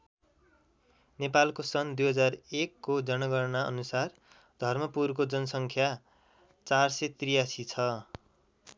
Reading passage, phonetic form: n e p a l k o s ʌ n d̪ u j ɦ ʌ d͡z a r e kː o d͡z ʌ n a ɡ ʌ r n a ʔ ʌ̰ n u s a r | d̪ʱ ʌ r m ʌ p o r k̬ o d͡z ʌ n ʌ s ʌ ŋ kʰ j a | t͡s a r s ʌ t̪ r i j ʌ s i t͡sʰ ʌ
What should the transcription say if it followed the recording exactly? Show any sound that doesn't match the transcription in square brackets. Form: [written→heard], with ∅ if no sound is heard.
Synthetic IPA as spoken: n e p a l k o s ʌ n d̪ u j ɦ ʌ d͡z a r e kː o d͡z ʌ n [a→ʌ] ɡ ʌ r n a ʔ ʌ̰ n u s a r | d̪ʱ ʌ r m ʌ p [o→u] r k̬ o d͡z ʌ n ʌ s ʌ ŋ kʰ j a | t͡s a r s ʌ t̪ r i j [ʌ→a] s i t͡sʰ ʌ